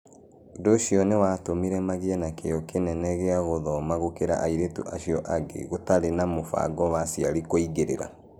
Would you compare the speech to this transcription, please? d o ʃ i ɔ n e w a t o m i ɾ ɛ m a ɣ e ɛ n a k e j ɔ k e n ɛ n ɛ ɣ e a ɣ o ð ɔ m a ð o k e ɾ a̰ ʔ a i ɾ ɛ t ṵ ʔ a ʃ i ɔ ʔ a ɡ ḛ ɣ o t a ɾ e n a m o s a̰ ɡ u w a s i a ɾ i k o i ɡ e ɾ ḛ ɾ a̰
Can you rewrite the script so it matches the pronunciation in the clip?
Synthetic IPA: d o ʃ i ɔ n e w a t o m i ɾ ɛ m a ɣ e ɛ n a k e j ɔ k e n ɛ n ɛ ɣ e a ɣ o ð ɔ m a ɣ o k e ɾ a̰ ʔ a i ɾ e t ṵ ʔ a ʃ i ɔ ʔ a ɡ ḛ ɣ o t a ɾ e n a m o f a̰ ɡ ɔ w a s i a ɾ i k o i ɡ e ɾ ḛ ɾ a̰